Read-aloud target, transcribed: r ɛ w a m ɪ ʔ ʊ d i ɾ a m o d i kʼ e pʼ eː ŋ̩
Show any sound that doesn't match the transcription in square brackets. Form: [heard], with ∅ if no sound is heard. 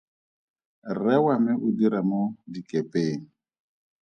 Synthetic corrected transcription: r ɛ w a m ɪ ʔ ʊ d i ɾ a m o d i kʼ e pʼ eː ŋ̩